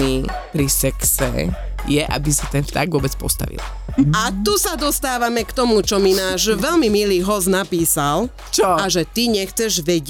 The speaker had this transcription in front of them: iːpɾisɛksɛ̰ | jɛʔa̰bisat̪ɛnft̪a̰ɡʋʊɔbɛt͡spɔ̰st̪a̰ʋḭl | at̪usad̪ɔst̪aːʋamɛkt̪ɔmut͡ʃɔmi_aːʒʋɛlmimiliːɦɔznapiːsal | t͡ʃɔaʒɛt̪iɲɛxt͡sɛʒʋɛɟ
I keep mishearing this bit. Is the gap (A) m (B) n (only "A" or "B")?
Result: B